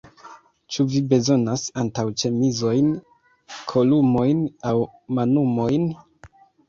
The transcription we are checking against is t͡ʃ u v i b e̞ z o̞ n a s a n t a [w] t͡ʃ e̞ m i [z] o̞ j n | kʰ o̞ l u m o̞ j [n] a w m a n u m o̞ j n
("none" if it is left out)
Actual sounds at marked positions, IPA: w, z, n

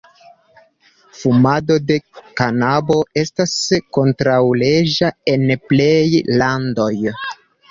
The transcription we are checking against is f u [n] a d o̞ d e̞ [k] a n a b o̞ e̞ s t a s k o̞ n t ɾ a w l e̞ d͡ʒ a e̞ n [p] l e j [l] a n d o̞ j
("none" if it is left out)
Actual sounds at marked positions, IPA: m, k, p, l

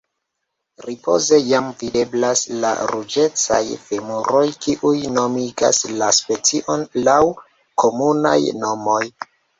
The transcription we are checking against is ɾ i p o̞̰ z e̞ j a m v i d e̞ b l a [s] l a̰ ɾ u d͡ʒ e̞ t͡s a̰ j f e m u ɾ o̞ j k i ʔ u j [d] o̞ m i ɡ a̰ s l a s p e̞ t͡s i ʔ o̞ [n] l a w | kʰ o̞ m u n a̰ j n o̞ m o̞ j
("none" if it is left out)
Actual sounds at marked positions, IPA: s, n, n

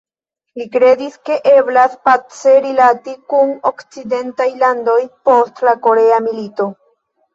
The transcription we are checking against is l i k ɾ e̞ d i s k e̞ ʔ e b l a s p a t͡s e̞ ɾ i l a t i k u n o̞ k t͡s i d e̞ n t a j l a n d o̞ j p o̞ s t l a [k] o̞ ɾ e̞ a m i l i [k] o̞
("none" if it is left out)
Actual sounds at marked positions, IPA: k, t

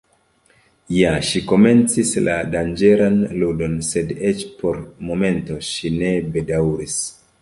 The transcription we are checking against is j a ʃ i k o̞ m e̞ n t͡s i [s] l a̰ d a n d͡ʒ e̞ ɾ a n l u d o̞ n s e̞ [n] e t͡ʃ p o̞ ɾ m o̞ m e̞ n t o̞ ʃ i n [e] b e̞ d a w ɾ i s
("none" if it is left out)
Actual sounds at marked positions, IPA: s, d, e

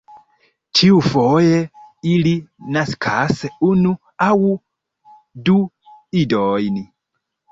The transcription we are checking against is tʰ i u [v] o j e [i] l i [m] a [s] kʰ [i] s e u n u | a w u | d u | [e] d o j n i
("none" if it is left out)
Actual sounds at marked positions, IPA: f, i, n, s, a, i

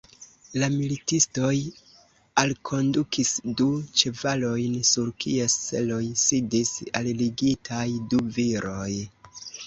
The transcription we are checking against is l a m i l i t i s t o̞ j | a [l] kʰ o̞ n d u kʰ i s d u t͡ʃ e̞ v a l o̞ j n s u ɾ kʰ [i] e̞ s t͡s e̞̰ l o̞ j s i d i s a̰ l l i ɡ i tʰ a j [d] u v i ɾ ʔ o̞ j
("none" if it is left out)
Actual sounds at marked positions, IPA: l, i, d

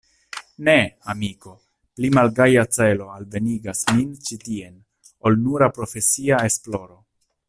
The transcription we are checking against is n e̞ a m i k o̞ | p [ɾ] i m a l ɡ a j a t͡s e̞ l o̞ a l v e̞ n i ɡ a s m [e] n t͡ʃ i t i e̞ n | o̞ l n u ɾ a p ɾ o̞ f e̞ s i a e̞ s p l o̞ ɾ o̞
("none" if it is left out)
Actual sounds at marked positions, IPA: l, i

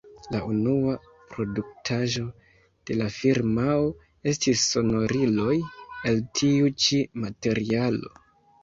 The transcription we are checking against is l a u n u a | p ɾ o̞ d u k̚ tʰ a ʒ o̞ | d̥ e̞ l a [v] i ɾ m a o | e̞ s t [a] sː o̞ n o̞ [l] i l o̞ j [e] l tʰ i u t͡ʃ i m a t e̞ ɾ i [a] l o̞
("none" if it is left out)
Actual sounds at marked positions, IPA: f, i, ɾ, e, a

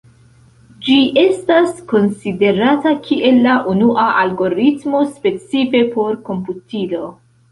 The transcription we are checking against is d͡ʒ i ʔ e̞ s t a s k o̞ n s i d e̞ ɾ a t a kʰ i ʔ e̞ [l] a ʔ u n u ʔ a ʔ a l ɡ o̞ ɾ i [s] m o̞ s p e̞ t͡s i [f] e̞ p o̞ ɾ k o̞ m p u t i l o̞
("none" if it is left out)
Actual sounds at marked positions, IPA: lː, t, f

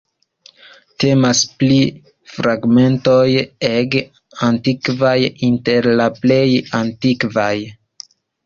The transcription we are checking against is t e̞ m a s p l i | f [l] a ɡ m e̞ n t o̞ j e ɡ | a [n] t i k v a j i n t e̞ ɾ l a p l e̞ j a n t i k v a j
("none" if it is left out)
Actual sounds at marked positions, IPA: ɾ, n

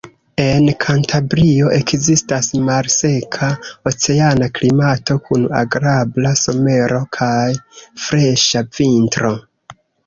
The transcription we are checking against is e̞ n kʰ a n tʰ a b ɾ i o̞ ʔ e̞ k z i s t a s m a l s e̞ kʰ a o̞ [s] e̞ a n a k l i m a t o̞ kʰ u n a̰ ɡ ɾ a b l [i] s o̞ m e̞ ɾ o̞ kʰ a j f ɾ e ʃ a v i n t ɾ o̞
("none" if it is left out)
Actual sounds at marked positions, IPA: t͡s, a

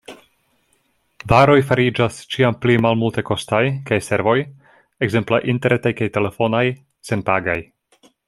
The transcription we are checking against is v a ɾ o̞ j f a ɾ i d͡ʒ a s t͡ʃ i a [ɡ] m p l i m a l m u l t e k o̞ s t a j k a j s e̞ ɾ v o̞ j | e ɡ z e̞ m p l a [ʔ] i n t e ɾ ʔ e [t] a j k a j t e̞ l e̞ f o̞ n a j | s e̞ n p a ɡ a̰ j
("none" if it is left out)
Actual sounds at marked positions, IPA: none, ʔ, t

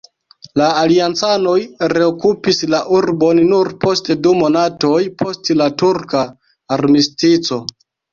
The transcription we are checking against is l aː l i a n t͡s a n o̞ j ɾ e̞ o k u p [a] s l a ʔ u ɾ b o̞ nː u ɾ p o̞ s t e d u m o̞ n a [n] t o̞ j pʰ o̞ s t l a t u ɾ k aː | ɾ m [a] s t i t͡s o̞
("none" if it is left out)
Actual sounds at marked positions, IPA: i, none, i

